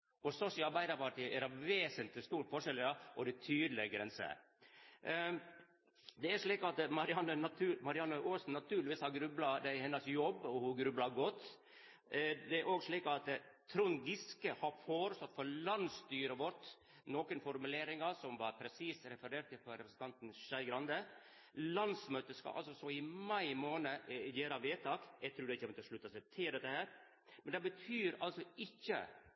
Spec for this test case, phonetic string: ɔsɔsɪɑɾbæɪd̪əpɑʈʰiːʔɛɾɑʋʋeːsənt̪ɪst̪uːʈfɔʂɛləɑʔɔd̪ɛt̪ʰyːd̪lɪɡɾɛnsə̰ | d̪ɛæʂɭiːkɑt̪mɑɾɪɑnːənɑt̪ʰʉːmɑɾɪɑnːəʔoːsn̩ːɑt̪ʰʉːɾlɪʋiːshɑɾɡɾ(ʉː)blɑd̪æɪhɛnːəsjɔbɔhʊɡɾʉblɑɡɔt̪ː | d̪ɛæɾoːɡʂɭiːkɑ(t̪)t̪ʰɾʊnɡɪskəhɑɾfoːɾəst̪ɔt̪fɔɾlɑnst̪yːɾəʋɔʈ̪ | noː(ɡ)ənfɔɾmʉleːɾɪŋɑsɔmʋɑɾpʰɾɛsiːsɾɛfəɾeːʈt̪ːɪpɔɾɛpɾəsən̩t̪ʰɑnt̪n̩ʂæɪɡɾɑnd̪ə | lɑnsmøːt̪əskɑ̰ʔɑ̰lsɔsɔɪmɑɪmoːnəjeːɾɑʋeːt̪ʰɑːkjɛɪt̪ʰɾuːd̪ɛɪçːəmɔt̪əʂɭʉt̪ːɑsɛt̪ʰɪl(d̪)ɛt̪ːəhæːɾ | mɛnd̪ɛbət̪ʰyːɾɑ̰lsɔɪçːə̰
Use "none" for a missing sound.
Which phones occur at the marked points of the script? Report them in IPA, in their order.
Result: ʉ, t̪, k, d̪

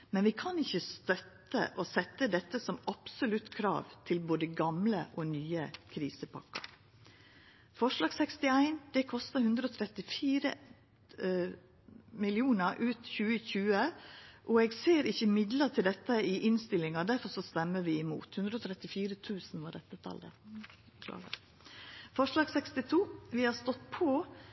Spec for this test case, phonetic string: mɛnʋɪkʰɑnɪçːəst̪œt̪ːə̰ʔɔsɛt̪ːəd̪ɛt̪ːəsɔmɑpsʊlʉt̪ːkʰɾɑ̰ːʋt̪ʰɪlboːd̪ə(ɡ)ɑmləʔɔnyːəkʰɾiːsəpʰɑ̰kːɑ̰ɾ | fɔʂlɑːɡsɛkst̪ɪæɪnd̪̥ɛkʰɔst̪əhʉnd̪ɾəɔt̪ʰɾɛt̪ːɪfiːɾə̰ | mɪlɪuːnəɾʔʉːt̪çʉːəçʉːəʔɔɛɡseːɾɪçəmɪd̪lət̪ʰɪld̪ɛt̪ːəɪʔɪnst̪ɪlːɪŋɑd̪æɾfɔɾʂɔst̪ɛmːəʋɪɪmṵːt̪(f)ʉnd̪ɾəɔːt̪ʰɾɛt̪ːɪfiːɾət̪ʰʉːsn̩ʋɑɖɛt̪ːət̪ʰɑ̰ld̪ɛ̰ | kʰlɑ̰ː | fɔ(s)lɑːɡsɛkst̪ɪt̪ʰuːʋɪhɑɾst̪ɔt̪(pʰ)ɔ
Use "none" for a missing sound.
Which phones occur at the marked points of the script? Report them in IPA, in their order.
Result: ɡ, h, ʂ, pʰ

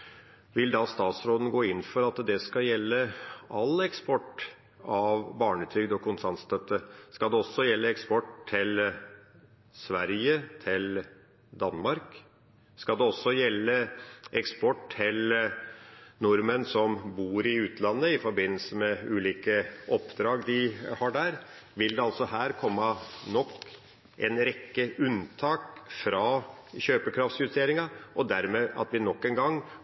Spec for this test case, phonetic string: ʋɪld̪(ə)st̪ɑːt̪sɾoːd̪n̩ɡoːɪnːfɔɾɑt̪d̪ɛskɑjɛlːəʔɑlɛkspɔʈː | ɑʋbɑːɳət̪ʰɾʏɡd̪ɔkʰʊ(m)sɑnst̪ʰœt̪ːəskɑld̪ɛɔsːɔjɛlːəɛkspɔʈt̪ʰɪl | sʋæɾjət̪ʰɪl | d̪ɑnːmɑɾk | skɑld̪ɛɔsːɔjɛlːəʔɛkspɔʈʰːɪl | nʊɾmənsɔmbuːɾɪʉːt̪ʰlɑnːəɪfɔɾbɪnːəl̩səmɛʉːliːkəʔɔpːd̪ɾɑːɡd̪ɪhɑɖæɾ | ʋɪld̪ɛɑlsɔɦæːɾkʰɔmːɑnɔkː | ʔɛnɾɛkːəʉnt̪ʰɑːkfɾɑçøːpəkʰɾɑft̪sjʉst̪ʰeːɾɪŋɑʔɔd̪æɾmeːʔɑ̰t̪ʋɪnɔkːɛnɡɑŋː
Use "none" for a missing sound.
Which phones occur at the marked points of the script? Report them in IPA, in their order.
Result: ɑ, n

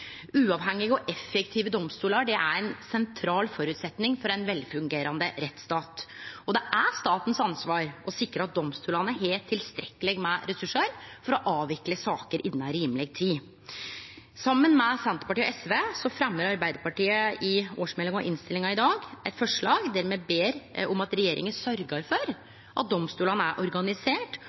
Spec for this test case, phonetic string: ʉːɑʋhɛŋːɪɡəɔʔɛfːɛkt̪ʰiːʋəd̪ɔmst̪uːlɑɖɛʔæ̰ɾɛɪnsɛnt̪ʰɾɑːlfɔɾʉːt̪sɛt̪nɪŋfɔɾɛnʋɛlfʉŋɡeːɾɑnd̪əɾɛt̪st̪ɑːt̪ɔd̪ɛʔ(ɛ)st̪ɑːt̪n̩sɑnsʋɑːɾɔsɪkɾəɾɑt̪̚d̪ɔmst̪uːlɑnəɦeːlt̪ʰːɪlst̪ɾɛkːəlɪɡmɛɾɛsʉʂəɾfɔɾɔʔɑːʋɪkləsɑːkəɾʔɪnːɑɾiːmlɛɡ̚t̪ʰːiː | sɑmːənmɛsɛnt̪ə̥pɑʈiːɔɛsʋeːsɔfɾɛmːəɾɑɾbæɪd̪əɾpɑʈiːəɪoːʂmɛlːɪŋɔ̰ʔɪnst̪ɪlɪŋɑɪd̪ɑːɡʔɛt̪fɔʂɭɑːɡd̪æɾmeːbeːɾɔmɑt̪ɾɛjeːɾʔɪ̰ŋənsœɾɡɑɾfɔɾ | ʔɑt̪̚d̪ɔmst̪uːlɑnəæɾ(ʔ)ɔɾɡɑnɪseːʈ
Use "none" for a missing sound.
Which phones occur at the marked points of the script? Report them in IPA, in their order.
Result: æ, ʔ

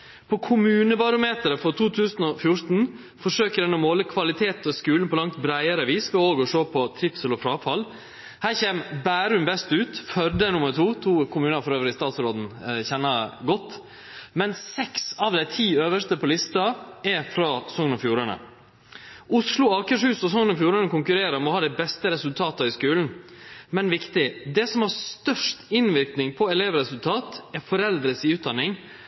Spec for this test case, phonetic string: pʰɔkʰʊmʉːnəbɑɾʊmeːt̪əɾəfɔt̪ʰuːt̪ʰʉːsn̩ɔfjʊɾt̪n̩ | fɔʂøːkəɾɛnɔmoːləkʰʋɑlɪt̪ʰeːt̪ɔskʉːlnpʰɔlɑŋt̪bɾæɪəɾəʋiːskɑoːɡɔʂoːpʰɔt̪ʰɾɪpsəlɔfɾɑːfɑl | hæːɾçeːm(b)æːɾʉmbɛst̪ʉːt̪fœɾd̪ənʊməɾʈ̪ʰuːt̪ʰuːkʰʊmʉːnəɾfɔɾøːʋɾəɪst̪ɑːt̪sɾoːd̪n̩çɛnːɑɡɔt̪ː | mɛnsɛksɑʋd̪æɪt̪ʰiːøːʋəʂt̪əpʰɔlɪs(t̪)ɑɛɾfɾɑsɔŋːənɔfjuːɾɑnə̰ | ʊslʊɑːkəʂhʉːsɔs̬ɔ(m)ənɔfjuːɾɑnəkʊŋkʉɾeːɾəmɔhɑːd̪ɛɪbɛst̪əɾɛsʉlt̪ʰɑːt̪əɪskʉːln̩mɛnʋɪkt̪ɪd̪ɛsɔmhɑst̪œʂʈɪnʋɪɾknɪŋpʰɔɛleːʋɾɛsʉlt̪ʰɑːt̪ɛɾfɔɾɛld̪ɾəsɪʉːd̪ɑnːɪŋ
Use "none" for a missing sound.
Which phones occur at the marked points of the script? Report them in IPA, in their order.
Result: b, t̪, ŋ

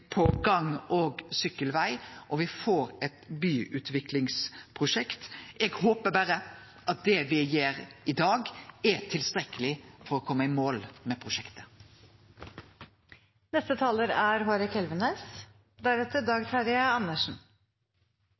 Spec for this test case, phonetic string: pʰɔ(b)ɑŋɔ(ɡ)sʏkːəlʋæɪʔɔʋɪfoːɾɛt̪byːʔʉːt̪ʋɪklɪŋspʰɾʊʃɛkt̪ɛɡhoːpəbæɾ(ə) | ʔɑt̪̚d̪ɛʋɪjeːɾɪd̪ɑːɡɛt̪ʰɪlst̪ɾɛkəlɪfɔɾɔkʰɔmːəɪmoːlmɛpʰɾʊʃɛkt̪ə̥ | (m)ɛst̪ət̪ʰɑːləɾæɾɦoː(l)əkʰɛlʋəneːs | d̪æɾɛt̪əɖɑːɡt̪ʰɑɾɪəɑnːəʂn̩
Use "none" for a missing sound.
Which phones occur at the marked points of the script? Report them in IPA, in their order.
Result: ɡ, ɡ, ə, n, ɾ

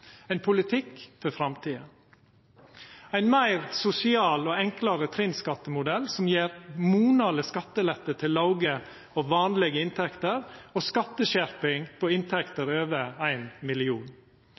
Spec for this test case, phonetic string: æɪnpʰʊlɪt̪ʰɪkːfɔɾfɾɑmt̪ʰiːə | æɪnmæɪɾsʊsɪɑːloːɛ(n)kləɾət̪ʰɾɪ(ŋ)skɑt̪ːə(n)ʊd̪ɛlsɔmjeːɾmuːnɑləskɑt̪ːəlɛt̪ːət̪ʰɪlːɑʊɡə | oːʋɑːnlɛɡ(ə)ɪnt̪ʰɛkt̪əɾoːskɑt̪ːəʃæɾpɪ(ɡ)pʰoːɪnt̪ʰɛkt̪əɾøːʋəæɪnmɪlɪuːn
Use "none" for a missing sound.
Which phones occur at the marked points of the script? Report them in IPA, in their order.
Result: ŋ, n, m, ə, ŋ

